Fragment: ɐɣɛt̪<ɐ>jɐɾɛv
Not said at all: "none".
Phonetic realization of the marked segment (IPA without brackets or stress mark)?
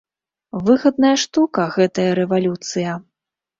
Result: ɐ